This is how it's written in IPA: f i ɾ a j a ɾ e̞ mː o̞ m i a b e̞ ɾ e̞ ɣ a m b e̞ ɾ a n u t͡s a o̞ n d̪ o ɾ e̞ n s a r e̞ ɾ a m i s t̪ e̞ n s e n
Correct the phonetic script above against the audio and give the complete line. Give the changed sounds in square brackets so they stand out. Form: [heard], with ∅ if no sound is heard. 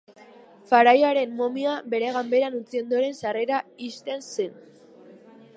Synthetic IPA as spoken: f [a] ɾ a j a ɾ e̞ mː o̞ m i a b e̞ ɾ e̞ ɣ a m b e̞ ɾ a n u t͡s [i] o̞ n d̪ o ɾ e̞ n s a r e̞ ɾ a [∅] i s t̪ e̞ n s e n